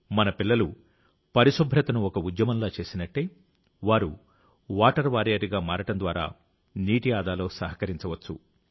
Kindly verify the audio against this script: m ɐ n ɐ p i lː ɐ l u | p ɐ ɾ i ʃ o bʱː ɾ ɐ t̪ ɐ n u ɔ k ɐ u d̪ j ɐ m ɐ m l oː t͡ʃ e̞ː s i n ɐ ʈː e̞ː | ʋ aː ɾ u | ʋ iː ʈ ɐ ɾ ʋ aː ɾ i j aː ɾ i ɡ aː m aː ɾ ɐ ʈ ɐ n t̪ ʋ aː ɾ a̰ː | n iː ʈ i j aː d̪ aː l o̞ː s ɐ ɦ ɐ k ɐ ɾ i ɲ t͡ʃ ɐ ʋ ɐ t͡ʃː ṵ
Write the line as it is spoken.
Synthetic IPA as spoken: m ɐ n ɐ p i lː ɐ l u | p ɐ ɾ i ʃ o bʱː ɾ ɐ t̪ ɐ n u ɔ k ɐ u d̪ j ɐ m ɐ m l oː t͡ʃ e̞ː s i n ɐ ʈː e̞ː | ʋ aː ɾ u | ʋ aː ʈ ɐ ɾ ʋ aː ɾ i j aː ɾ i ɡ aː m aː ɾ ɐ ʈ ɐ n d̪ ʋ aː ɾ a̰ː | n iː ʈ i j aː d̪ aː l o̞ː s ɐ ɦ ɐ k ɐ ɾ i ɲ t͡ʃ ɐ ʋ ɐ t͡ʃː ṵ